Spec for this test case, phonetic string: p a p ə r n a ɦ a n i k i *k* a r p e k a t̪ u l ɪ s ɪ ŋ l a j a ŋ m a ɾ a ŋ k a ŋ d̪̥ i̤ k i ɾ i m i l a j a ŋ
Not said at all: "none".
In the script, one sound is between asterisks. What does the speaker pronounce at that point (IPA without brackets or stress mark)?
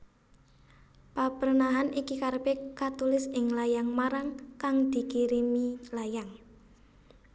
k